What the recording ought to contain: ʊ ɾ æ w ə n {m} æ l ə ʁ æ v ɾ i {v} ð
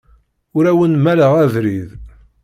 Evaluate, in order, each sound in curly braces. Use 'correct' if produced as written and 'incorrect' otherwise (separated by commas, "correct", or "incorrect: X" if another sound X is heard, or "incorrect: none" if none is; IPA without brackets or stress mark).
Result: correct, incorrect: none